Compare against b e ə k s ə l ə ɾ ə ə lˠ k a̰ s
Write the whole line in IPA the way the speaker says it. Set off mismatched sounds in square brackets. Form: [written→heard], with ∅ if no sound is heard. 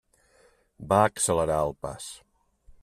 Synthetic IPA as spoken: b [e→a] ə k s ə l ə ɾ [ə→a] ə lˠ [k→p] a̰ s